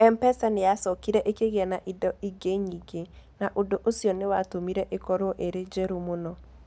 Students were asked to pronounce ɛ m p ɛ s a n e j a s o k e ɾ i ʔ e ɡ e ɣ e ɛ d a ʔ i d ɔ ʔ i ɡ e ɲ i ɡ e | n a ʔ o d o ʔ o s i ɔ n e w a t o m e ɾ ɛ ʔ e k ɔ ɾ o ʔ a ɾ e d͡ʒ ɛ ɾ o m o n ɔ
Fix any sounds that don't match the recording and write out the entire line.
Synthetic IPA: ɛ m p ɛ s a n e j a s ɔ k i ɾ ɛ ʔ e k e ɣ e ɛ n a ʔ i d ɔ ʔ i ɡ e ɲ i ɡ e | n a ʔ o d o ʔ o s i ɔ n e w a t o m i ɾ ɛ ʔ e k ɔ ɾ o ʔ e ɾ e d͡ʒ ɛ ɾ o m o n ɔ

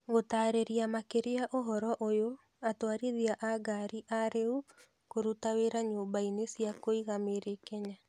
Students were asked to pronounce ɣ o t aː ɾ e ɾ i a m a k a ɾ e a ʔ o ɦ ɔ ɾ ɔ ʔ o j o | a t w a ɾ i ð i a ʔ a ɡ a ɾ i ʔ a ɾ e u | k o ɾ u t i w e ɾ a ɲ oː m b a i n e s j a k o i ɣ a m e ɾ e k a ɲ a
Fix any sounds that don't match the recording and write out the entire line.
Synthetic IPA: ɣ o t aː ɾ e ɾ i a m a k e ɾ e a ʔ o ɦ ɔ ɾ ɔ ʔ o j o | a t w a ɾ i ð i a ʔ a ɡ a ɾ i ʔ a ɾ e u | k o ɾ u t a w e ɾ a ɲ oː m b a i n e s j a k o i ɣ a m e ɾ e k ɛ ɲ a

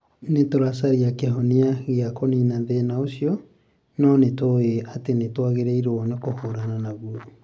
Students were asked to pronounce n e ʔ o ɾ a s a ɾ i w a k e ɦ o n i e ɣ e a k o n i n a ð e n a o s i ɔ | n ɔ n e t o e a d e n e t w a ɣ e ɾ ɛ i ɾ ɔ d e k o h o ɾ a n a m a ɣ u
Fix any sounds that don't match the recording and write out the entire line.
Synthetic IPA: n e t o ɾ a s a ɾ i a k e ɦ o n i a ɣ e a k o n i n a ð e n a o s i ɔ | n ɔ n e t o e a t e n e t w a ɣ e ɾ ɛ i ɾ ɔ n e k o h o ɾ a n a n a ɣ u

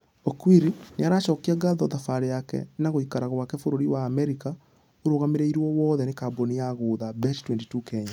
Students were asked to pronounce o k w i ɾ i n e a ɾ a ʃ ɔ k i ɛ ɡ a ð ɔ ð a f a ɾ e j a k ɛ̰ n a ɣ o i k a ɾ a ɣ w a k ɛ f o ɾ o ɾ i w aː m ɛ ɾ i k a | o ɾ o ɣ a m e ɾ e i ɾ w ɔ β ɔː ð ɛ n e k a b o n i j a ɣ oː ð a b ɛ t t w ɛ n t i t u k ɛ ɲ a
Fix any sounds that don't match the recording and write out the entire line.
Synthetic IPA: o k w i ɾ i n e a ɾ a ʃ ɔ k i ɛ ɡ a ð ɔ ð a f a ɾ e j a k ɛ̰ n a ɣ o i k a ɾ a ɣ w a k ɛ f o ɾ o ɾ i w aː m ɛ ɾ i k a | o ɾ o ɣ a m e ɾ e i ɾ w ɔ w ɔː ð ɛ n e k a b o n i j a ɣ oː ð a b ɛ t t w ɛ n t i t u k ɛ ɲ a

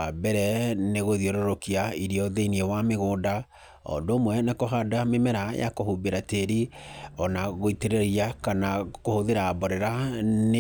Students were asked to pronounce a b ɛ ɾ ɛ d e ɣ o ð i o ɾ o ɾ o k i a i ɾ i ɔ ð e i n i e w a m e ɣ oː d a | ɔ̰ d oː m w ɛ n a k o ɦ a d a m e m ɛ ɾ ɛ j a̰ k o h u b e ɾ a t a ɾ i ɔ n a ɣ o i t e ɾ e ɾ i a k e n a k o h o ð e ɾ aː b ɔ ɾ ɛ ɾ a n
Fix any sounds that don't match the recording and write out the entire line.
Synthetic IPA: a b ɛ ɾ ɛ n e ɣ o ð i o ɾ o ɾ o k i a i ɾ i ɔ ð e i n i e w a m e ɣ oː d a | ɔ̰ d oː m w ɛ n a k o ɦ a d a m e m ɛ ɾ a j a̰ k o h u b e ɾ a t e ɾ i ɔ n a ɣ o i t e ɾ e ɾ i a k a n a k o h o ð e ɾ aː b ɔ ɾ ɛ ɾ a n

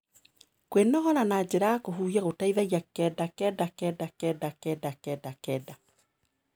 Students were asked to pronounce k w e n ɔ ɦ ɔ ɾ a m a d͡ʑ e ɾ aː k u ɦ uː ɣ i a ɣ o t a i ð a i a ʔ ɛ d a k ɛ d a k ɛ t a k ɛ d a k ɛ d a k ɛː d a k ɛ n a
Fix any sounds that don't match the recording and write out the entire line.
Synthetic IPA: k w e n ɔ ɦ ɔ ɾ a n a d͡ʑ e ɾ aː k o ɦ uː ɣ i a ɣ o t a i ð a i a k ɛ d a k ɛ d a k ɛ d a k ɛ d a k ɛ d a k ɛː d a k ɛ d a

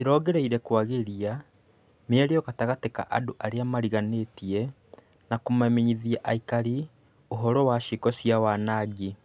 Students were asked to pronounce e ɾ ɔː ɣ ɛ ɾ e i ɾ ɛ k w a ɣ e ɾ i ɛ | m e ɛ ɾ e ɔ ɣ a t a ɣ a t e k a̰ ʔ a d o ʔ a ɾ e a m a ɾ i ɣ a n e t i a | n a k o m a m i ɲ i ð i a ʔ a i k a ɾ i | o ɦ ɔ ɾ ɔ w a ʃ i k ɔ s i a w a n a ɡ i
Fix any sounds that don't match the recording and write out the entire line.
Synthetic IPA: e ɾ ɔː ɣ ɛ ɾ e i ɾ ɛ k w a ɣ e ɾ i a | m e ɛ ɾ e ɔ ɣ a t a ɣ a t e k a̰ ʔ a d o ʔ a ɾ e a m a ɾ i ɣ a n e t i ɛ | n a k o m a m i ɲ i ð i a ʔ a i k a ɾ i | o ɦ ɔ ɾ ɔ w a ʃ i k ɔ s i a w a n a ɡ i

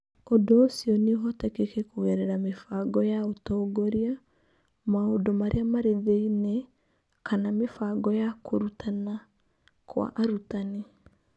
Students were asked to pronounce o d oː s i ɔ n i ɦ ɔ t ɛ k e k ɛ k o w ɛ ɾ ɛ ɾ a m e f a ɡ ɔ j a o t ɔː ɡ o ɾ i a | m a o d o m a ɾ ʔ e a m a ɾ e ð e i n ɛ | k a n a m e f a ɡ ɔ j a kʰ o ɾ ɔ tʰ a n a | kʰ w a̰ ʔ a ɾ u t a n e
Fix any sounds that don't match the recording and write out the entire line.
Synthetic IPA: o d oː s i ɔ n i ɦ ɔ t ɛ k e k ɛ k o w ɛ ɾ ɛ ɾ a m e f a ɡ ɔ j a o t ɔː ɡ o ɾ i a | m a o d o m a ɾ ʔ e a m a ɾ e ð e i n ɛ | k a n a m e f a ɡ ɔ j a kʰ o ɾ u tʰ a n a | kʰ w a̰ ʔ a ɾ u t a n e

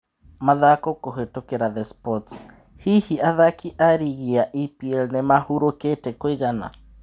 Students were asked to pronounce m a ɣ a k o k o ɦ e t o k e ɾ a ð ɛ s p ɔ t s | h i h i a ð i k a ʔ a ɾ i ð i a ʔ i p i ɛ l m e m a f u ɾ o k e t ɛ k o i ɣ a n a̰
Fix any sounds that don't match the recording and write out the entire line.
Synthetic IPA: m a ð a k o k o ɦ e t o k e ɾ a ð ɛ s p ɔ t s | h i h i a ð a k i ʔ a ɾ i ɣ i a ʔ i p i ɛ l n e m a h u ɾ o k e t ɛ k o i ɣ a n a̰

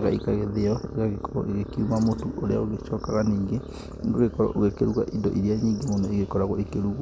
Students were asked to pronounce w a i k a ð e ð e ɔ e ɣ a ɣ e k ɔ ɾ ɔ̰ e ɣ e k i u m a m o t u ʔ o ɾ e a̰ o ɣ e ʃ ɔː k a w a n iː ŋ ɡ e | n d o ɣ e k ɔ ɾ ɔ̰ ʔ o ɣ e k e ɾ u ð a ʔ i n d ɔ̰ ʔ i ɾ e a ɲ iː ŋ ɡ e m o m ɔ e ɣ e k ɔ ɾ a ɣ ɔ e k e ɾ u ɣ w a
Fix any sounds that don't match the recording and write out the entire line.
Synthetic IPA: ɣ a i k a ɣ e ð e ɔ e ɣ a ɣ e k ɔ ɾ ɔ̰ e ɣ e k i u m a m o t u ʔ o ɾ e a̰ o ɣ e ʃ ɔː k a ɣ a n iː ŋ ɡ e | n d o ɣ e k ɔ ɾ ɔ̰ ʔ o ɣ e k e ɾ u ɣ a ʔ i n d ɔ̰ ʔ i ɾ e a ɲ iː ŋ ɡ e m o n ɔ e ɣ e k ɔ ɾ a ɣ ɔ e k e ɾ u ɣ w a

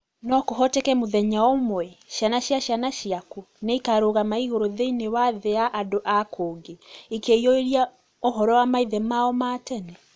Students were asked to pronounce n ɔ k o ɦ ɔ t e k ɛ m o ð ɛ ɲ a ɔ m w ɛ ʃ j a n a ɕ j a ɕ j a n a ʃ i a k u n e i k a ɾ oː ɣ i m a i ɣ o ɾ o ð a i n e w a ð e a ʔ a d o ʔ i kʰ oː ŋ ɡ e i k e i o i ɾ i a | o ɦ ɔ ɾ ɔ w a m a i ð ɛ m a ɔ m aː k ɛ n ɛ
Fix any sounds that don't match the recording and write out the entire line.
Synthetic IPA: n ɔ k o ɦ ɔ t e k ɛ m o ð ɛ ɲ a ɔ m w ɛ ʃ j a n a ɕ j a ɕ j a n a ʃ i a k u n e i k a ɾ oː ɣ a m a i ɣ o ɾ o ð e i n e w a ð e a ʔ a d o ʔ a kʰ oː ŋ ɡ e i k e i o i ɾ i a | o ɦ ɔ ɾ ɔ w a m a i ð ɛ m a ɔ m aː t ɛ n ɛ

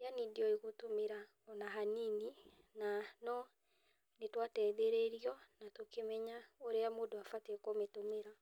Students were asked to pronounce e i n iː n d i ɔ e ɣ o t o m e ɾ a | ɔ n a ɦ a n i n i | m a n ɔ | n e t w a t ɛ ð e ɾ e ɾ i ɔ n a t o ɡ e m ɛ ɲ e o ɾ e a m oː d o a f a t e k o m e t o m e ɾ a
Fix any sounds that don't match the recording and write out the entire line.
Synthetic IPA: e a n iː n d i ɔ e ɣ o t o m e ɾ a | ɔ n a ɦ a n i n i | n a n ɔ | n e t w a t ɛ ð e ɾ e ɾ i ɔ n a t o k e m ɛ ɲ a o ɾ e a m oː d o a f a t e k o m e t o m e ɾ a

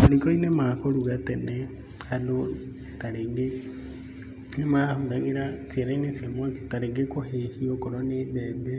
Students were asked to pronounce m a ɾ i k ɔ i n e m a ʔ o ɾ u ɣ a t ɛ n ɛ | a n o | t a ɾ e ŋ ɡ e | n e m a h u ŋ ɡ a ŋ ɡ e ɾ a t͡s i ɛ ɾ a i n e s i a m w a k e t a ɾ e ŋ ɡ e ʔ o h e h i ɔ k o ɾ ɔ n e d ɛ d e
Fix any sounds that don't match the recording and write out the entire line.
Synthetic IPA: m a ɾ i k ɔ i n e m a k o ɾ u ɣ a t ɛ n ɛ | a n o | t a ɾ e ŋ ɡ e | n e m a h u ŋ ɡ a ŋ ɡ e ɾ a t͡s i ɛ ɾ a i n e s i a m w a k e t a ɾ e ŋ ɡ e k o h e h i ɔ k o ɾ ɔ n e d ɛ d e

